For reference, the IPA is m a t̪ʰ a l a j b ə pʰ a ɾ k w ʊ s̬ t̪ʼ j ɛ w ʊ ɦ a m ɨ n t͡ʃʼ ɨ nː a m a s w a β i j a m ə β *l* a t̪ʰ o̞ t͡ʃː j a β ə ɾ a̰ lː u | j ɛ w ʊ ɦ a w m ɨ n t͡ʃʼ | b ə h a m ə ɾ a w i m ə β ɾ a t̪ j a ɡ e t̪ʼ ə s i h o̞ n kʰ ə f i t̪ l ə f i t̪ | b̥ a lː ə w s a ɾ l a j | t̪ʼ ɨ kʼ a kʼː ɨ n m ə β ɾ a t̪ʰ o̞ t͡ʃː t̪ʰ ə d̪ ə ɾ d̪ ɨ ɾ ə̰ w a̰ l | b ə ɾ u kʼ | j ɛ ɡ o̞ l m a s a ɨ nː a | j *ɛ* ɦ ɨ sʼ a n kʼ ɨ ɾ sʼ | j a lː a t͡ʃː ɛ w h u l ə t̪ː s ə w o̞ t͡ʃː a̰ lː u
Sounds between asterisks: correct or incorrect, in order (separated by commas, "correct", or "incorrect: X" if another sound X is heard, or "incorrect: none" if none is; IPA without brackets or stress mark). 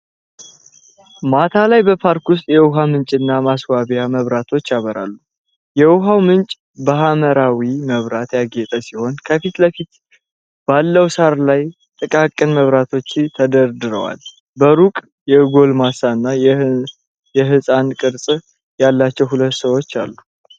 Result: incorrect: ɾ, correct